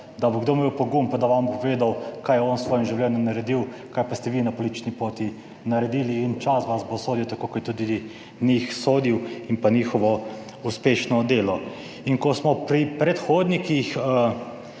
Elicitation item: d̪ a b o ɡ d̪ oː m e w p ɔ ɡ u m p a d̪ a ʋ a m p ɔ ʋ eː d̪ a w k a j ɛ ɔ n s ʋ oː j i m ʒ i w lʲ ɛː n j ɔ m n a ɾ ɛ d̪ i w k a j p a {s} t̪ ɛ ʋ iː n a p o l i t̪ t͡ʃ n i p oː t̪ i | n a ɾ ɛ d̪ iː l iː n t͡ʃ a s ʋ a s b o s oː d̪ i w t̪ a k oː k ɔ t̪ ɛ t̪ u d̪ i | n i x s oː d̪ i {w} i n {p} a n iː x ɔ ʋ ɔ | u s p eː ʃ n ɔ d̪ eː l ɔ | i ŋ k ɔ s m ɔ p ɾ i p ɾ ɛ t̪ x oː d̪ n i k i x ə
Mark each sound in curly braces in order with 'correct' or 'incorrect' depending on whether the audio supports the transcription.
correct, correct, correct

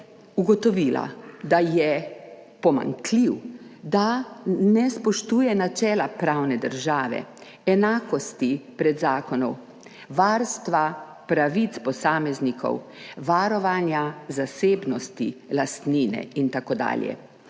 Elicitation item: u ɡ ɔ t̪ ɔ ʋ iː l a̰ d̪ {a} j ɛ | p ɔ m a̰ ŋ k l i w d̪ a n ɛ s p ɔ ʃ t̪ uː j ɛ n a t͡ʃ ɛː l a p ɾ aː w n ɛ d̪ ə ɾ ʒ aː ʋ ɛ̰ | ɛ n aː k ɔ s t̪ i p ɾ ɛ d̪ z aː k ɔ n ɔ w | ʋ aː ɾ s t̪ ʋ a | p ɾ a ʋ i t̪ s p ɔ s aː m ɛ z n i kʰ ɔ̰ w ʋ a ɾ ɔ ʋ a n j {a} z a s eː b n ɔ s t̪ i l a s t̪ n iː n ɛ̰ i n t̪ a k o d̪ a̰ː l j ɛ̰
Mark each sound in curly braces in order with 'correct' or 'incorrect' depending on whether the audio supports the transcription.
correct, correct

